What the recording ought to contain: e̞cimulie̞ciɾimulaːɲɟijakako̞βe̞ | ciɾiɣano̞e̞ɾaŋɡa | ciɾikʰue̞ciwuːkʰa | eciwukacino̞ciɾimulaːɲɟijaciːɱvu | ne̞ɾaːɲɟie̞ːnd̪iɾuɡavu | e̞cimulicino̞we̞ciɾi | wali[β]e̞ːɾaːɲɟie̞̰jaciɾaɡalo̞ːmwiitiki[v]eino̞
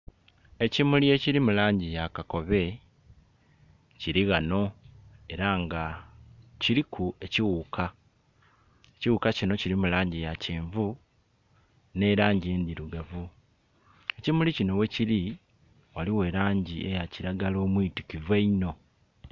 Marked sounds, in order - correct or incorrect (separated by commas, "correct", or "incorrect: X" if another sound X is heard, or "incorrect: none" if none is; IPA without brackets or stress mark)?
incorrect: w, correct